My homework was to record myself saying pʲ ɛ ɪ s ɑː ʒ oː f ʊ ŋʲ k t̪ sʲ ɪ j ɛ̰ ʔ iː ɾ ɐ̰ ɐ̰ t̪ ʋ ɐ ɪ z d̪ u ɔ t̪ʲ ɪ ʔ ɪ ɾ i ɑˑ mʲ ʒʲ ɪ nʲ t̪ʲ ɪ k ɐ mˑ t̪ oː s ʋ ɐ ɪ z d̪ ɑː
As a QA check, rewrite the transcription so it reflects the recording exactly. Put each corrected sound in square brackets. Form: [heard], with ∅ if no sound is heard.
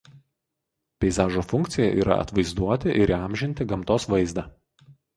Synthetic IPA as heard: pʲ ɛ ɪ [z] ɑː ʒ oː f ʊ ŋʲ k t̪ sʲ ɪ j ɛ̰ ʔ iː ɾ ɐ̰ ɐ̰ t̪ ʋ ɐ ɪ z d̪ u ɔ t̪ʲ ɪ ʔ ɪ ɾ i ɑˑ mʲ ʒʲ ɪ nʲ t̪ʲ ɪ [ɡ] ɐ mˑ t̪ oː s ʋ ɐ ɪ z d̪ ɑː